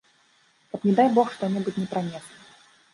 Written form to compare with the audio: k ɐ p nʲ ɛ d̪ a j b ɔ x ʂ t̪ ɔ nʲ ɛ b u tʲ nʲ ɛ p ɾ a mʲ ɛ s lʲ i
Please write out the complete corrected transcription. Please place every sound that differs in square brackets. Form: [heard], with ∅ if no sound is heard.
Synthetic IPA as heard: k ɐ p nʲ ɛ d̪ a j b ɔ x ʂ t̪ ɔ nʲ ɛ b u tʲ nʲ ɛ p ɾ a [nʲ] ɛ s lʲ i